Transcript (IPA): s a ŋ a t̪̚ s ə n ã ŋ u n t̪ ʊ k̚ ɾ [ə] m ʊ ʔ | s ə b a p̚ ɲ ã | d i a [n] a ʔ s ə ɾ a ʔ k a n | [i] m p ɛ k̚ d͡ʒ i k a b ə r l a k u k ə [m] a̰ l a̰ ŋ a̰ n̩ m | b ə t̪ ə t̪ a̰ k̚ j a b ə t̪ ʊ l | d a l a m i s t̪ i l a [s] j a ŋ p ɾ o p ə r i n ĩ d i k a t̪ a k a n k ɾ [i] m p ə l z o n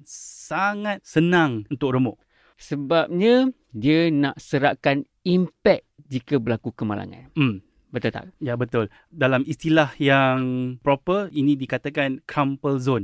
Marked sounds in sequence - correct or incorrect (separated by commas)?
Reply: correct, correct, correct, correct, incorrect, incorrect